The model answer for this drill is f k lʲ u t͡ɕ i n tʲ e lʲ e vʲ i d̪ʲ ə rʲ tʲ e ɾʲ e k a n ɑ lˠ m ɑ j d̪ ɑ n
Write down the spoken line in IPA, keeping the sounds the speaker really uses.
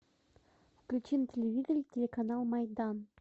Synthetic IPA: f k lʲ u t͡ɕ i n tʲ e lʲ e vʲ i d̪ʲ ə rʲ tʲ e lʲ e k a n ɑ lˠ m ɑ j d̪ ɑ n